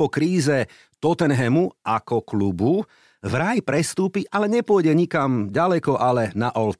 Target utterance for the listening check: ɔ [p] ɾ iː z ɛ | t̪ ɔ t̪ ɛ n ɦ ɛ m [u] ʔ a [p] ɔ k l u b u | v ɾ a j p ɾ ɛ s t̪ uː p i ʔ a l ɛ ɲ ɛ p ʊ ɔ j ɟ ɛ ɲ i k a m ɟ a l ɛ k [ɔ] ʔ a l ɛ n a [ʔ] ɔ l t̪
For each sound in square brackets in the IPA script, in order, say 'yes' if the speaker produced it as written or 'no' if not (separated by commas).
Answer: no, yes, no, yes, yes